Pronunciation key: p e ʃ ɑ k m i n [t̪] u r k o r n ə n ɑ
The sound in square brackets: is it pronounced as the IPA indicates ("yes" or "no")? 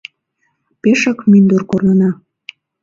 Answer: no